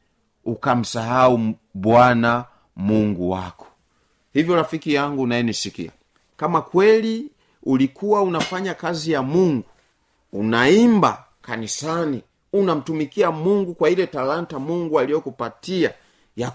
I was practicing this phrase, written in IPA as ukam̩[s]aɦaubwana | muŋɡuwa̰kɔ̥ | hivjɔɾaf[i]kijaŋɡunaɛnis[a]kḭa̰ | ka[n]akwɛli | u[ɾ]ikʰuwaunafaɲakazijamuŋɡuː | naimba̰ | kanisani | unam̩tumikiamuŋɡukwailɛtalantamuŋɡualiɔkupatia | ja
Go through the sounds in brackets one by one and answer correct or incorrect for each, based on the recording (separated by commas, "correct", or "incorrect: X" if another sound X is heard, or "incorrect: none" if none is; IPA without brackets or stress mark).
correct, correct, incorrect: i, incorrect: m, incorrect: l